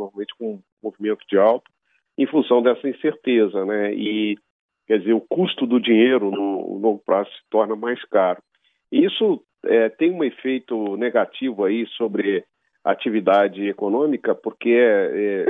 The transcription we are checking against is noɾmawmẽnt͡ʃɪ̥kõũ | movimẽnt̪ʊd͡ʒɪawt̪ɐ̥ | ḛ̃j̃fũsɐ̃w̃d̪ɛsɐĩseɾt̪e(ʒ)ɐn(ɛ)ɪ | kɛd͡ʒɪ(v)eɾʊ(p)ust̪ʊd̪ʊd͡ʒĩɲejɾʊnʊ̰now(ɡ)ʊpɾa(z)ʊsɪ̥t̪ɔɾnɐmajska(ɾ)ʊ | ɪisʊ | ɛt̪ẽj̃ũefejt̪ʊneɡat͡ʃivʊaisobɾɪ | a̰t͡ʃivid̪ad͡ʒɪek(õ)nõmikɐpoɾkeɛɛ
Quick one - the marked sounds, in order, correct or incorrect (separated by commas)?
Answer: incorrect, correct, incorrect, incorrect, correct, correct, correct, incorrect